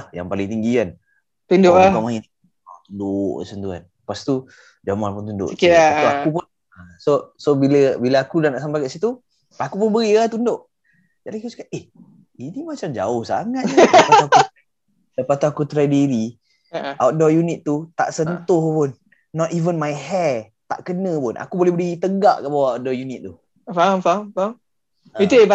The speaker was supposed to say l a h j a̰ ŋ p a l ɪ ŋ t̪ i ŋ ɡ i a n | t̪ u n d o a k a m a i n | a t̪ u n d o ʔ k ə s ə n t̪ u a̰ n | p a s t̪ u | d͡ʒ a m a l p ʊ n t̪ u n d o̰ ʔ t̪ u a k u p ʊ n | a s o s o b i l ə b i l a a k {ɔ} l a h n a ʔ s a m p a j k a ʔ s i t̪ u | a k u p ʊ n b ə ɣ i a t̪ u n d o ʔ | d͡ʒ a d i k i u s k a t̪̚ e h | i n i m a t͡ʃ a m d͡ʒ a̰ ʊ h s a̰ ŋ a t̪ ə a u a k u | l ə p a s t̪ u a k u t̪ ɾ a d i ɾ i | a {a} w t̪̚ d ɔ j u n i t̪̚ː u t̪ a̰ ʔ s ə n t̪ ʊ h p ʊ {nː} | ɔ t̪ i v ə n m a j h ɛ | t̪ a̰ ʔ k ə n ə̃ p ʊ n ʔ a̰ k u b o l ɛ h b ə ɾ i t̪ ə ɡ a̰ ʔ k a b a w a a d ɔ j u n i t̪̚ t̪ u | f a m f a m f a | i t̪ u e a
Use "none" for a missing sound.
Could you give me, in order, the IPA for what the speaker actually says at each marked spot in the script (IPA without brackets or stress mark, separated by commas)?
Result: u, a, nː